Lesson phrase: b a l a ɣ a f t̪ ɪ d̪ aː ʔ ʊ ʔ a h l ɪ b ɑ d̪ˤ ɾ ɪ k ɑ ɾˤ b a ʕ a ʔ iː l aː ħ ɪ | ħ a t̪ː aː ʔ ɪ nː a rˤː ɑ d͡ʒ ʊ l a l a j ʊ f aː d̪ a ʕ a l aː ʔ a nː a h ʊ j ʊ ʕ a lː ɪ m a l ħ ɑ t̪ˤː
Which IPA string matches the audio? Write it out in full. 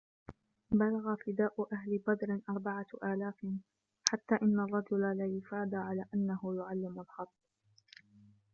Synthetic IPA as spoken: b a l a ɣ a f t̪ ɪ d̪ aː ʔ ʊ ʔ a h l ɪ b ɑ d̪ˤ ɾ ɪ ʔ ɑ ɾˤ b a ʕ a ʔ aː l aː f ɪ | ħ a t̪ː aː ʔ ɪ nː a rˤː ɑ d͡ʒ ʊ l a l a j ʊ f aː d̪ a ʕ a l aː ʔ a nː a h ʊ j ʊ ʕ a lː ɪ m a l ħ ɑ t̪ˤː

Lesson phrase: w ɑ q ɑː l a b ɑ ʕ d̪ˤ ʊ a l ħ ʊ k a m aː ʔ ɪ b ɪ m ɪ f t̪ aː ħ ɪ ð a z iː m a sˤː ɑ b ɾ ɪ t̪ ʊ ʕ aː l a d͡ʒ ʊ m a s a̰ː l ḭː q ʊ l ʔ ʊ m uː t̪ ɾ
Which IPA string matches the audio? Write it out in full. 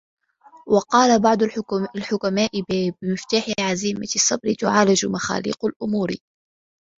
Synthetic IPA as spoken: w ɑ q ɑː l a b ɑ ʕ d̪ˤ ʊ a l ħ ʊ k a m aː ʔ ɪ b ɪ m ɪ f t̪ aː ħ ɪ ʕ a z iː m a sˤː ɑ b ɾ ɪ t̪ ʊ ʕ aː l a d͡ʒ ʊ m a x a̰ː l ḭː q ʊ l ʔ ʊ m uː ɾ

